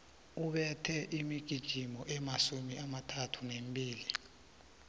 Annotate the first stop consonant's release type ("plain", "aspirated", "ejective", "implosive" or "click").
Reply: implosive